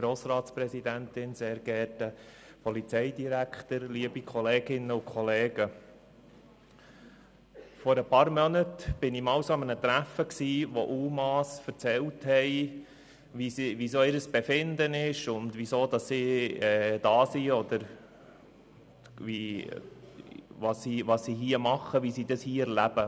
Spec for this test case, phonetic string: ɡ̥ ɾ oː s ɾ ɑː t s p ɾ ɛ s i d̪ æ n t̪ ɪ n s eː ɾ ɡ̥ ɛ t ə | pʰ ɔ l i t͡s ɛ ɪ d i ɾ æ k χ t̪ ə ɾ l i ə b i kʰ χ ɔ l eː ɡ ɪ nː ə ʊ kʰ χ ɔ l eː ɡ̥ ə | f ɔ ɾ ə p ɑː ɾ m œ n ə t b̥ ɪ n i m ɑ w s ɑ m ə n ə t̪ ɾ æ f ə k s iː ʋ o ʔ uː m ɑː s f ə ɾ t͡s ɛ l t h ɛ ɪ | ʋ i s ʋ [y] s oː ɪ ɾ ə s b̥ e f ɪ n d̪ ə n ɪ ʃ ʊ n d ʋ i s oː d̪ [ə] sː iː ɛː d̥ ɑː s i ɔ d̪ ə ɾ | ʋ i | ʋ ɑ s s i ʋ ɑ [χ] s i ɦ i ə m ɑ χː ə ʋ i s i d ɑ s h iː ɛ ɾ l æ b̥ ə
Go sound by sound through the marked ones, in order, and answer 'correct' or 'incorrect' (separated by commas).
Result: incorrect, incorrect, incorrect